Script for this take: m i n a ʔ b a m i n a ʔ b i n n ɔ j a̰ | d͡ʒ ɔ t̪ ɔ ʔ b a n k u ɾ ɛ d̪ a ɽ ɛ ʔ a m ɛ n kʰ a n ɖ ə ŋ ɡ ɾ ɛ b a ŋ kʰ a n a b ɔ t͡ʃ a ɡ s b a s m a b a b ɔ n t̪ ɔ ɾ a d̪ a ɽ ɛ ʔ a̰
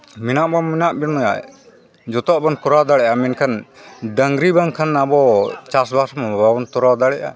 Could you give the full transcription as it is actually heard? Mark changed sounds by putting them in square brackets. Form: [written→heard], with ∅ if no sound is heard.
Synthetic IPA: m i n a ʔ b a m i n a ʔ b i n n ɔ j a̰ | d͡ʒ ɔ t̪ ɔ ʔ b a n k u ɾ [ɛ→a] d̪ a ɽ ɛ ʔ a m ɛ n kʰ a n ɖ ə ŋ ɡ ɾ [ɛ→i] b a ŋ kʰ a n a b ɔ t͡ʃ a [ɡ→∅] s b a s m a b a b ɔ n t̪ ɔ ɾ a d̪ a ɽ ɛ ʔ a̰